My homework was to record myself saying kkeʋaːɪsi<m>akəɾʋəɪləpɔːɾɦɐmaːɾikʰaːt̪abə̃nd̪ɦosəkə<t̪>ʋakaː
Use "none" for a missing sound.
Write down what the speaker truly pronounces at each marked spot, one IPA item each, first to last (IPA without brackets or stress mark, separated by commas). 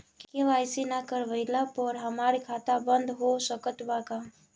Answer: n, t̪